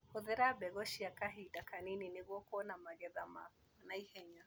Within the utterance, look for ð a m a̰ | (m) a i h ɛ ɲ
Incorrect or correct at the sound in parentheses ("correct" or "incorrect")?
incorrect